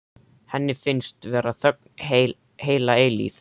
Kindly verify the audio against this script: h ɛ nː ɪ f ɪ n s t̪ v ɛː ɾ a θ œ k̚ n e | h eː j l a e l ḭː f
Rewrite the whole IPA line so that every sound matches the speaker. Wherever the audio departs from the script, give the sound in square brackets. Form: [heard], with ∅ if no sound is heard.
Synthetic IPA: h ɛ nː ɪ f ɪ n s t̪ v ɛː ɾ a θ œ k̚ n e | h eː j l a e l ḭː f